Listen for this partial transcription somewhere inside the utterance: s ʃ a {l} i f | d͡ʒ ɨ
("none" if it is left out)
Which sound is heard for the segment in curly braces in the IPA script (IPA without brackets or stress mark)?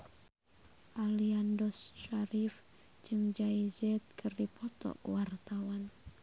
ɾ